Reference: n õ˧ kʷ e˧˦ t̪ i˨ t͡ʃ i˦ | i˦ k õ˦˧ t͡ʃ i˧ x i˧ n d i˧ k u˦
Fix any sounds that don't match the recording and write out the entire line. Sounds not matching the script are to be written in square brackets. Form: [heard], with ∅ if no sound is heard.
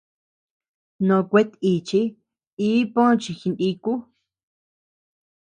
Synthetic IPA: n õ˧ kʷ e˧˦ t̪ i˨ t͡ʃ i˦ | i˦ [p] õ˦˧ t͡ʃ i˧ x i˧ n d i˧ k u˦